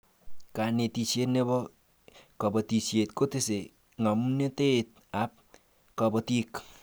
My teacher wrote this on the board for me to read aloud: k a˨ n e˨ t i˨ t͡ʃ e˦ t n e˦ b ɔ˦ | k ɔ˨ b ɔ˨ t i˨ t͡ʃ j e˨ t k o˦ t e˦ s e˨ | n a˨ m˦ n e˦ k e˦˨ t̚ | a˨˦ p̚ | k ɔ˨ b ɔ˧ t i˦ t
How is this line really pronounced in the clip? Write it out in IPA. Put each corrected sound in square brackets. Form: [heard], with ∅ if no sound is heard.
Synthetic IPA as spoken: k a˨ n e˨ t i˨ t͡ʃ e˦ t n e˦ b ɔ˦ | k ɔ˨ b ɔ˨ t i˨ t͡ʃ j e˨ t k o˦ t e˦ s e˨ | [ŋ] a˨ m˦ n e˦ [t] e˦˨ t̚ | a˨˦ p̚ | k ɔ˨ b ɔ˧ t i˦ [k]

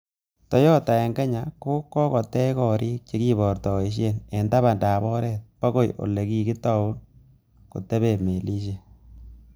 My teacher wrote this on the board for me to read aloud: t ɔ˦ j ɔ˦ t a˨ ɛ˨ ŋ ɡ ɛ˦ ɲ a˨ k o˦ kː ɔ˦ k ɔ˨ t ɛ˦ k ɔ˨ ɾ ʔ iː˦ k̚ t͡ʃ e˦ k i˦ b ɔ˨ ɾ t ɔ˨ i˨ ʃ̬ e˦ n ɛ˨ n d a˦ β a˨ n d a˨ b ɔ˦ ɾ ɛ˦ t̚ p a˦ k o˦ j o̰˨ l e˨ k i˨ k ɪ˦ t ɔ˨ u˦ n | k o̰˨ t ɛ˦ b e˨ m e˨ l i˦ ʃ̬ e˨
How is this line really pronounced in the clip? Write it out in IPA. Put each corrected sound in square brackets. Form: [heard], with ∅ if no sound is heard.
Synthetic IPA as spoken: t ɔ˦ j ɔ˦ t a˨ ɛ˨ ŋ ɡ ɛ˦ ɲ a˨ k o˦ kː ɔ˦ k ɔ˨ t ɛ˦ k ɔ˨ ɾ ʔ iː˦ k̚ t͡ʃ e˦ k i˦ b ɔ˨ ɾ t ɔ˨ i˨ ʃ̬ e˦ n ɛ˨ n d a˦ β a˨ n d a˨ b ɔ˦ ɾ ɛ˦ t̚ p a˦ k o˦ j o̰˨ l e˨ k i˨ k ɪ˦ t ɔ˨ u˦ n | k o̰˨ t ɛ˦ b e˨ m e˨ l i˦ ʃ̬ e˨

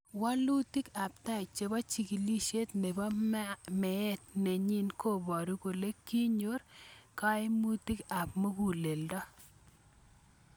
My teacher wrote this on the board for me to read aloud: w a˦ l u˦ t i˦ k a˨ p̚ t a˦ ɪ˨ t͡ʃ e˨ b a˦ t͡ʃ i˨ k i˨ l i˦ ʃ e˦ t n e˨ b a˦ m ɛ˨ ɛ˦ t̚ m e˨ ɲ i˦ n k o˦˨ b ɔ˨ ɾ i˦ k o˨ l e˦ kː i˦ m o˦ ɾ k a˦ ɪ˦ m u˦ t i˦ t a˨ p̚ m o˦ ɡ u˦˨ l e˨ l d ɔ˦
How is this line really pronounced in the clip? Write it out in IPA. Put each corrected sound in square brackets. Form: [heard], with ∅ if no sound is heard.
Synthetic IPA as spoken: w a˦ l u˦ t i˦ k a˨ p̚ t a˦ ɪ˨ t͡ʃ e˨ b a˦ t͡ʃ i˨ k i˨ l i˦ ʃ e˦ t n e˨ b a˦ m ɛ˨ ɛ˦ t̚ [n] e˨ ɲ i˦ n k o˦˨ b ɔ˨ ɾ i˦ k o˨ l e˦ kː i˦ [ɲ] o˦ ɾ k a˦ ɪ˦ m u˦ t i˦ [k] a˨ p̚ m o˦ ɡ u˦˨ l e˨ l d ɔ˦

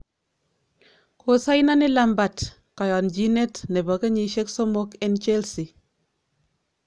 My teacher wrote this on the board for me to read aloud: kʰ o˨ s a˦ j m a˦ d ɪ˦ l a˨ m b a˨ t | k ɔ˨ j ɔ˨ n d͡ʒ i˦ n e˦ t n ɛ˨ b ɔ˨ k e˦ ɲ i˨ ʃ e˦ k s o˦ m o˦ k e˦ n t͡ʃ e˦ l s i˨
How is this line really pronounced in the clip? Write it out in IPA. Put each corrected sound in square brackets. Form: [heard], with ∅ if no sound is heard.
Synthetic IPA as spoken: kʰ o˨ s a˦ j [n] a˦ [n] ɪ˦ l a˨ m b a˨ t | k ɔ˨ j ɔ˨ n d͡ʒ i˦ n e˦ t n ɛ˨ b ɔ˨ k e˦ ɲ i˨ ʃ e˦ k s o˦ m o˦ k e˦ n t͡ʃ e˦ l s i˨

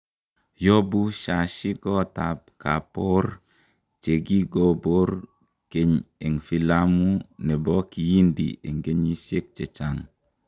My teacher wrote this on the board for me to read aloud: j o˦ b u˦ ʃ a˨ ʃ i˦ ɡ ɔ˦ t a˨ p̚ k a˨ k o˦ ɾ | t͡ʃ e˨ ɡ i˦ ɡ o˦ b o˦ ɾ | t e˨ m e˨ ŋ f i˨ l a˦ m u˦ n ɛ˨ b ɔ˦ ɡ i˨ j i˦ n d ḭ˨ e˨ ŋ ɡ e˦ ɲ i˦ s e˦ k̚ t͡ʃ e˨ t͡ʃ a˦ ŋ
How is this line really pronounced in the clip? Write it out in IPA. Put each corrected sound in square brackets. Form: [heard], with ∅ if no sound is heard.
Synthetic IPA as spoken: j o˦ b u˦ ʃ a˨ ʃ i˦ ɡ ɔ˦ t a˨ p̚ k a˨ [p] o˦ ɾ | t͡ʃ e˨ ɡ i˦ ɡ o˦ b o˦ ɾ | [k] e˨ [ɲ] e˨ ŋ f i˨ l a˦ m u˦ n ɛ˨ b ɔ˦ [k] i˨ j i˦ n d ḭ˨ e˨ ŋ ɡ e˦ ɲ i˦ s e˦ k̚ t͡ʃ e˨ t͡ʃ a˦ ŋ

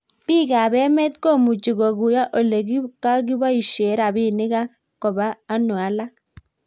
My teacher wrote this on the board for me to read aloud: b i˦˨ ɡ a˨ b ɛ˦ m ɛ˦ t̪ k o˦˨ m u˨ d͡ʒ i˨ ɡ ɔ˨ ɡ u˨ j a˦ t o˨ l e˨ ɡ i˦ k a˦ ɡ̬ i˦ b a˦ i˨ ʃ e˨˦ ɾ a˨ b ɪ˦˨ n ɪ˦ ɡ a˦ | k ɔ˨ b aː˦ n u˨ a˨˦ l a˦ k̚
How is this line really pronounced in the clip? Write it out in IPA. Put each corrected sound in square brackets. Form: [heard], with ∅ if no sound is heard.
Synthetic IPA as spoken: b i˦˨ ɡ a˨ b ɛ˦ m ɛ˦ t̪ k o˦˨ m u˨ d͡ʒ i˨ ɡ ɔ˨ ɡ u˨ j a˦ [ʔ] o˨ l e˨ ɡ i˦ k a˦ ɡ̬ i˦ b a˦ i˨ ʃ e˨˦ ɾ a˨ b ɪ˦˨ n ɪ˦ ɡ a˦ | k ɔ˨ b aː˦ n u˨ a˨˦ l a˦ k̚

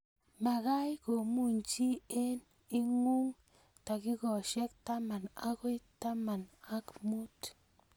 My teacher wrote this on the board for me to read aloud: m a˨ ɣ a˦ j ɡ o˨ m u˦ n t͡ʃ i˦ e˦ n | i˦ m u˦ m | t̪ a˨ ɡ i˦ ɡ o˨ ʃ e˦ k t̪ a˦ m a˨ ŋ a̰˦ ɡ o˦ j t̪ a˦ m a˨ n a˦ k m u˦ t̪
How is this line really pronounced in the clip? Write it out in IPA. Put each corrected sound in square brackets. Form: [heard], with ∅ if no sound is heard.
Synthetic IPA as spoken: m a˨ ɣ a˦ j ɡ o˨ m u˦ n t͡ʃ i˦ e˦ n | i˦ [ŋ] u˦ [ŋ] | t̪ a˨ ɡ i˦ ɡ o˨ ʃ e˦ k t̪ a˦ m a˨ [n] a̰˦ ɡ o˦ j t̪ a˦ m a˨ n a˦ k m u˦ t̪

